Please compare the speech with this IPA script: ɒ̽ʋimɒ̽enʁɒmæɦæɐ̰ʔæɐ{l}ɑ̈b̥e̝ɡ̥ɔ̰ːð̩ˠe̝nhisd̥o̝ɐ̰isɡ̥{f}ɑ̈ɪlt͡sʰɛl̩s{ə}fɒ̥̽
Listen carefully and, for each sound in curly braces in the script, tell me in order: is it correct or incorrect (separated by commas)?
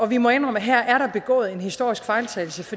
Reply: incorrect, correct, correct